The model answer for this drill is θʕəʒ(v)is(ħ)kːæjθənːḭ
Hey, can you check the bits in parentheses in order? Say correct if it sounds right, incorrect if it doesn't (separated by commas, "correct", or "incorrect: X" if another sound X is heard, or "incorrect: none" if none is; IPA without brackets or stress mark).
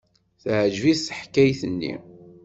correct, correct